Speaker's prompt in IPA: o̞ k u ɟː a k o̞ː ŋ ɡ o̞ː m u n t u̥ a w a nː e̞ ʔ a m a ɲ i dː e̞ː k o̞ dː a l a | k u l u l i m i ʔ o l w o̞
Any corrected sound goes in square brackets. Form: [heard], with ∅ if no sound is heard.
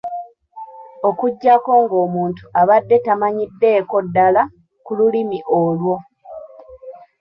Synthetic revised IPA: o̞ k u ɟː a k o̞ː ŋ ɡ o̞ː m [uː] n t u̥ a [β] a [dː] e̞ [t] a m a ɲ i dː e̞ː k o̞ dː a l a | k u l u l i m i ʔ o l w o̞